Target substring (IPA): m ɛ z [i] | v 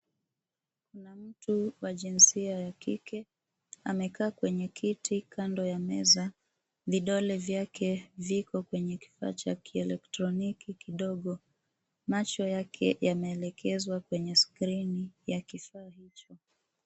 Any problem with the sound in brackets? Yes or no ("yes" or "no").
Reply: yes